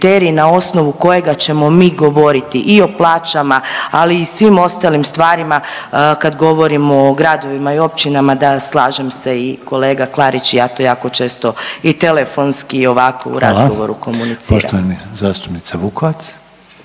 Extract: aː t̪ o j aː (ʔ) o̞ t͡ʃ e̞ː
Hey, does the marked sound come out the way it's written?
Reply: no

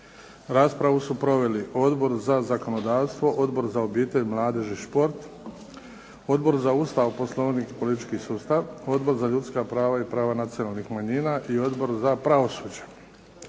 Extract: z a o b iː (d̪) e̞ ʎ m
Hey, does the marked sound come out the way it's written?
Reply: no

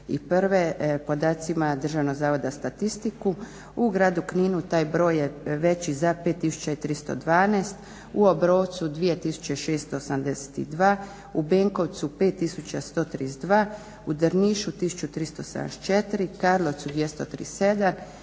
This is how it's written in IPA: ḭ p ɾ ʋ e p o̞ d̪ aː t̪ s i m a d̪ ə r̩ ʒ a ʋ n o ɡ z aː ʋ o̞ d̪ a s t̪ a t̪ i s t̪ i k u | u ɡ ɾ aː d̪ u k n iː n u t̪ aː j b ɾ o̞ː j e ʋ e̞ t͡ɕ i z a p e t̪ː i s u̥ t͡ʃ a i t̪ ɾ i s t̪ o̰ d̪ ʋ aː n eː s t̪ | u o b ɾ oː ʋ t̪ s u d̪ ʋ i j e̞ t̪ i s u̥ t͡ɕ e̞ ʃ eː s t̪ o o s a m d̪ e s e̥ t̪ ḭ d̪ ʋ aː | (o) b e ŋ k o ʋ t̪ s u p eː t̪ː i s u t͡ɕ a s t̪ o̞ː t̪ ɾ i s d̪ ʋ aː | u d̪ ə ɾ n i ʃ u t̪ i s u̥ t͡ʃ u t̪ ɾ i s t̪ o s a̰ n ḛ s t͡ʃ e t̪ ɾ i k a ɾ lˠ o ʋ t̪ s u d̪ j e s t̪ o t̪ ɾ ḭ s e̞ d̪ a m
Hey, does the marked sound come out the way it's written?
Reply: no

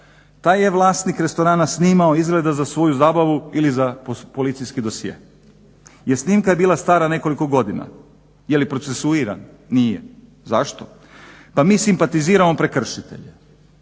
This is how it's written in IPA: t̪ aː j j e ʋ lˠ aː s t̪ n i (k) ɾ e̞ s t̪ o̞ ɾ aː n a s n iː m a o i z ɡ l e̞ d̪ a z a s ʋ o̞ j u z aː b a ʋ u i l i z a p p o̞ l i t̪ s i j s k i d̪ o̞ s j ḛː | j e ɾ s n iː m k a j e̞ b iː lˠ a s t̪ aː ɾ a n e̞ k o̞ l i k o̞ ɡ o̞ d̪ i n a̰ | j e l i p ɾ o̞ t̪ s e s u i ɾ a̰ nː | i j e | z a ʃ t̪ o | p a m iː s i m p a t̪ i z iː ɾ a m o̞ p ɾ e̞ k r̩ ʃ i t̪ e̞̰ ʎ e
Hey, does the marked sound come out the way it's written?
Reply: yes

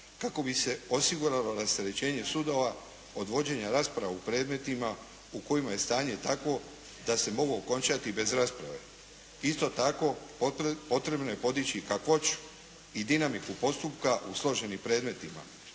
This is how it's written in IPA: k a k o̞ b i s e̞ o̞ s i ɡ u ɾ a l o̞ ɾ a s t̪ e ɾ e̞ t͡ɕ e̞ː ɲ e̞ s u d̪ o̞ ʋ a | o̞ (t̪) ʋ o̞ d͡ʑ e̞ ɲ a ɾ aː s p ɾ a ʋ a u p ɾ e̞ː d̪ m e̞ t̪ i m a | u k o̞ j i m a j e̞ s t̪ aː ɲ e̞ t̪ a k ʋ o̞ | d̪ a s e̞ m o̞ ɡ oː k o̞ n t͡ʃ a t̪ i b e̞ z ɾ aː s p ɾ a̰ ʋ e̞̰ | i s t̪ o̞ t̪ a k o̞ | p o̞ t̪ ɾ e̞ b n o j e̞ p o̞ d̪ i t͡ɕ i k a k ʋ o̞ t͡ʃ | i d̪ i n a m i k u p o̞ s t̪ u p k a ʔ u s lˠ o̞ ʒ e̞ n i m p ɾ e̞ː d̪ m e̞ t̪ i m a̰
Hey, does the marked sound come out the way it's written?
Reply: no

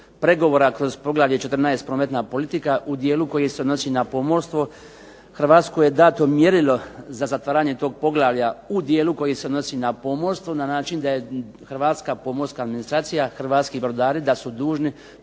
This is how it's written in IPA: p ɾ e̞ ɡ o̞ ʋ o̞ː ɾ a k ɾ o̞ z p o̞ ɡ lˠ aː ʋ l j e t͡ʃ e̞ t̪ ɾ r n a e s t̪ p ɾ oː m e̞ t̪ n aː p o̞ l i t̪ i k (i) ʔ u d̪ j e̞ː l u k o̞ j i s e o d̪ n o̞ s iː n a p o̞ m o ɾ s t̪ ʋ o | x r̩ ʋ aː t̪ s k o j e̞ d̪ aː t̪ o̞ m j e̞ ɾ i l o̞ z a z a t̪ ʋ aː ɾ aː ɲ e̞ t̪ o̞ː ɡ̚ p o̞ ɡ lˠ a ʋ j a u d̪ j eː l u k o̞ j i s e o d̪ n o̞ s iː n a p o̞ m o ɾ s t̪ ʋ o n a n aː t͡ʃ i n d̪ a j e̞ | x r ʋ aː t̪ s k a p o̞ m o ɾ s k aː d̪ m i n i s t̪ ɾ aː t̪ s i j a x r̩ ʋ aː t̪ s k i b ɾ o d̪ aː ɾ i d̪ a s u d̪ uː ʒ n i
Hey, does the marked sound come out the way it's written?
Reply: no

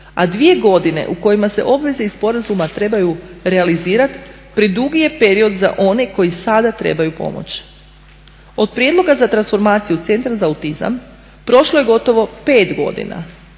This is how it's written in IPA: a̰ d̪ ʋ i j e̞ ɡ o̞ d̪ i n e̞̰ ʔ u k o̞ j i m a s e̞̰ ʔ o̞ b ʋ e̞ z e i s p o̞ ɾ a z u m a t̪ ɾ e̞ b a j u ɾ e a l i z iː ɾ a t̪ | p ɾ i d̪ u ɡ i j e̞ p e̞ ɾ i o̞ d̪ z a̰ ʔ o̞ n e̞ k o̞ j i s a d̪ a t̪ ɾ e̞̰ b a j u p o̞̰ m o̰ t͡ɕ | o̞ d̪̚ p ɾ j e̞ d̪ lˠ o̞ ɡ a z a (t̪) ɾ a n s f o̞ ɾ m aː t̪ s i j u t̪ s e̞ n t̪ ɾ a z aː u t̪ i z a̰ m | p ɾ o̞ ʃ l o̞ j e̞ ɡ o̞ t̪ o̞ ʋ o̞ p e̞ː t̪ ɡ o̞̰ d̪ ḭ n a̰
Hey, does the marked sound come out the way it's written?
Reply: yes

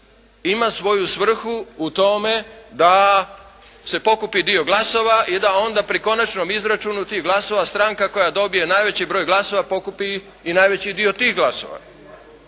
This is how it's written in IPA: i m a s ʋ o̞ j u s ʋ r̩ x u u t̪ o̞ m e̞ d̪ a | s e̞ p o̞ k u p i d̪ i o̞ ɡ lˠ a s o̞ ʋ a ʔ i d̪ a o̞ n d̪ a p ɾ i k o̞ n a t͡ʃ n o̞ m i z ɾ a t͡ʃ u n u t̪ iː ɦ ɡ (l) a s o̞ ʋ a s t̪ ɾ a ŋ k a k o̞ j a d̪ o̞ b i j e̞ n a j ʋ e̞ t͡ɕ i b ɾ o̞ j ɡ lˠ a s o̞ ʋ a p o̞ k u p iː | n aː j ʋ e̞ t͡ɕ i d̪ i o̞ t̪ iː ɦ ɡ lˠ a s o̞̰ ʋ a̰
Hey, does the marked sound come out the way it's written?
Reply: yes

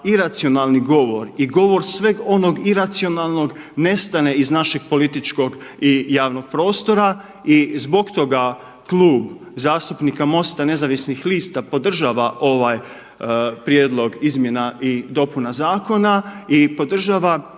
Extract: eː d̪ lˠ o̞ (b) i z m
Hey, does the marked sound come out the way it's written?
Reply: no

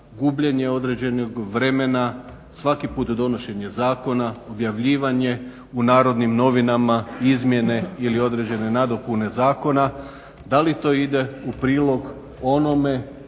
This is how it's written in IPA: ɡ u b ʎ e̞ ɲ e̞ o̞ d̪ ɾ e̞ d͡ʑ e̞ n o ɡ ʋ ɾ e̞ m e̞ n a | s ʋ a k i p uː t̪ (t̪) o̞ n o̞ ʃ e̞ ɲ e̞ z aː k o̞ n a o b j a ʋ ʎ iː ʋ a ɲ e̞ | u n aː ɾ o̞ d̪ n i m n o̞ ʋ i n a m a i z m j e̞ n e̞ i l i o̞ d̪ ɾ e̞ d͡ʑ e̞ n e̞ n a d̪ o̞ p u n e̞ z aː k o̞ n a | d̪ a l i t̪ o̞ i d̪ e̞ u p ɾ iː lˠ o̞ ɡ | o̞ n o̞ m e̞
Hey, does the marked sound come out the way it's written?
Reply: no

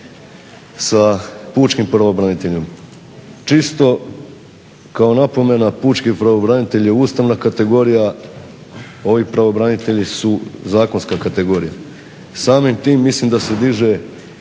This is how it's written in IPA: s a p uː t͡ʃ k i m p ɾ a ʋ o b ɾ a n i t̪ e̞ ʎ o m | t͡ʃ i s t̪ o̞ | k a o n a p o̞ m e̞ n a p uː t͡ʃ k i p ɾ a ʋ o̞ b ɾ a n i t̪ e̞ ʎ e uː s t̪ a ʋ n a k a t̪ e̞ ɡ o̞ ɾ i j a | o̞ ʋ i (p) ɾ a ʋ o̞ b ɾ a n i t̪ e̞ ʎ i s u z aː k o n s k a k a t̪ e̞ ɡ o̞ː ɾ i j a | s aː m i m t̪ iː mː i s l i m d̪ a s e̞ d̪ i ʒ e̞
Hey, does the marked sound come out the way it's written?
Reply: yes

